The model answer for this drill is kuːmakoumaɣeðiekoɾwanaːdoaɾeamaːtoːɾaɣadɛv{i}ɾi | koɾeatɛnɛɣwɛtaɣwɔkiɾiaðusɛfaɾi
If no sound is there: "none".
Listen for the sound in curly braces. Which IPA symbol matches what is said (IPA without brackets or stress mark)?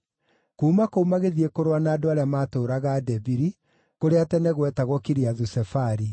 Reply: i